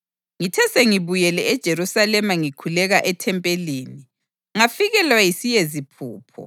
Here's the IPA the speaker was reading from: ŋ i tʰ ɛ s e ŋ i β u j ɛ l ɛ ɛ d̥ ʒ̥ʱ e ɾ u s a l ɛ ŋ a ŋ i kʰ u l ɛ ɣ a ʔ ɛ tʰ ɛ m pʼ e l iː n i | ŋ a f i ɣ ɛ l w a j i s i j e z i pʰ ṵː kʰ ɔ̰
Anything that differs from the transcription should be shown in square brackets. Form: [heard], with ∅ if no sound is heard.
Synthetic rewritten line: ŋ i tʰ ɛ s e ŋ i β u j ɛ l ɛ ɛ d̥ ʒ̥ʱ e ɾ u s a l ɛ [m] a ŋ i kʰ u l ɛ ɣ a ʔ ɛ tʰ ɛ m pʼ e l iː n i | ŋ a f i ɣ ɛ l w a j i s i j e z i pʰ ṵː [pʰ] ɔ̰